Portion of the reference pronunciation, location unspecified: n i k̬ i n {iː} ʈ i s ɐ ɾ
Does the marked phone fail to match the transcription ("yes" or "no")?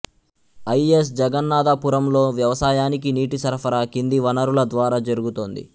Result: no